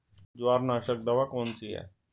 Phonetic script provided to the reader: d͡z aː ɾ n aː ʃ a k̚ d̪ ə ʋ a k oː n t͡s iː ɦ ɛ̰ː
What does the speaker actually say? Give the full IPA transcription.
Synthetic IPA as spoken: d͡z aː ɾ n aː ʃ ə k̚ d̪ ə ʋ a k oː n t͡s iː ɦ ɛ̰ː

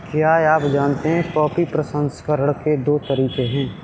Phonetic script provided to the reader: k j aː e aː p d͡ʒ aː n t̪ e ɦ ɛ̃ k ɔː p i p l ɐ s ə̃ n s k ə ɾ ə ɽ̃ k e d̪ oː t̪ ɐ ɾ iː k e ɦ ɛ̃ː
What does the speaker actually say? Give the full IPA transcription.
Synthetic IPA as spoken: k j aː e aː p d͡ʒ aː n t̪ e ɦ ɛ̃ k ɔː p i p ɾ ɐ s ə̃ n s k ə ɾ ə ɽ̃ k e d̪ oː t̪ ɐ ɾ iː k e ɦ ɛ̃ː

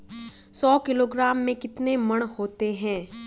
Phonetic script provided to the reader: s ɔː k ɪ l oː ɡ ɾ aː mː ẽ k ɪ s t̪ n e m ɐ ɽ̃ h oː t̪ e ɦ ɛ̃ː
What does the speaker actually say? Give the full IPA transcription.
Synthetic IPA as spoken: s ɔː k ɪ l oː ɡ ɾ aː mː ẽ k ɪ t̪ n e m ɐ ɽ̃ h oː t̪ e ɦ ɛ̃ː

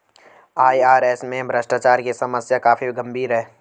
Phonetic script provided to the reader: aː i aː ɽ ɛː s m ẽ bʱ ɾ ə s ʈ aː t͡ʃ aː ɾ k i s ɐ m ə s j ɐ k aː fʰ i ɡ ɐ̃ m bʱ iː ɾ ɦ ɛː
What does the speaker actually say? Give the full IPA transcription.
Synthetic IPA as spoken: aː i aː ɾ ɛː s m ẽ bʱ ɾ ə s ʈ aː t͡ʃ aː ɾ k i s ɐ m ə s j a k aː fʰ i ɡ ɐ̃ m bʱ iː ɾ ɦ ɛː

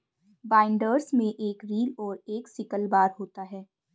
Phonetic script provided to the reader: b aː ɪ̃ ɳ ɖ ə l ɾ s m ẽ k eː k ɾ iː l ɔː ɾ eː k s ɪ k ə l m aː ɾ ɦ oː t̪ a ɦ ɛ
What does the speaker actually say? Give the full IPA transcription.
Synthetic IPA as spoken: b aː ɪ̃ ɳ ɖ ə ɾ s m ẽ ʔ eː k ɾ iː l ɔː ɾ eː k s ɪ k ə l b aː ɾ ɦ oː t̪ a ɦ ɛː

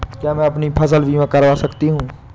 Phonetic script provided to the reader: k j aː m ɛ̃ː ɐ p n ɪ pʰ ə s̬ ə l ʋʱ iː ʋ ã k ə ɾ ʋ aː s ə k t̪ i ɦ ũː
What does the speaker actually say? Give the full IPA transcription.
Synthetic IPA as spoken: k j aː m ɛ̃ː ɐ p n i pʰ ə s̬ ə l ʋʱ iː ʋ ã k ə ɾ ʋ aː s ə k t̪ i ɦ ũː

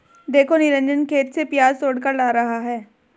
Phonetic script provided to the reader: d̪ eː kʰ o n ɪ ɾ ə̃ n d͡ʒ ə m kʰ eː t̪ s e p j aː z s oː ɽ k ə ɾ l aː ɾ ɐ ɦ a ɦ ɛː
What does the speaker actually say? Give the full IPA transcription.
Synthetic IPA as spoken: d̪ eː kʰ o n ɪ ɾ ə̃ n d͡ʒ ə n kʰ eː t̪ s e p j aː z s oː ɽ k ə ɾ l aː ɾ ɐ ɦ a ɦ ɛː

